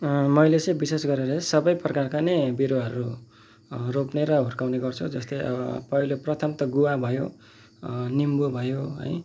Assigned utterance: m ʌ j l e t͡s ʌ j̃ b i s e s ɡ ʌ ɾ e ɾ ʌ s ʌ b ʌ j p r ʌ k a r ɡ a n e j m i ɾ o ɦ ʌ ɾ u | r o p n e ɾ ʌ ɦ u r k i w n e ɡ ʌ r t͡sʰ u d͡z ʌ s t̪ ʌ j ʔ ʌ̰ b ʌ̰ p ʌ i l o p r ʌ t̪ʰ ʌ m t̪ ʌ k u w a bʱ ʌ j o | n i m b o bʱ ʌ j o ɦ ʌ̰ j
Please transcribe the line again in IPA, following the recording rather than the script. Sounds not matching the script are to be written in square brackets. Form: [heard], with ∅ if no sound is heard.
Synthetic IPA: m ʌ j l e t͡s ʌ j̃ b i s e s ɡ ʌ ɾ e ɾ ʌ s ʌ b ʌ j p r ʌ k a r [k] a n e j [b] i ɾ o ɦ ʌ ɾ u | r o p n e ɾ ʌ ɦ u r k [a] w n e ɡ ʌ r t͡sʰ u d͡z ʌ s t̪ ʌ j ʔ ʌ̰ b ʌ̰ p ʌ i l o p r ʌ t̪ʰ ʌ m t̪ ʌ [ɡ] u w a bʱ ʌ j o | n i m b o bʱ ʌ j o ɦ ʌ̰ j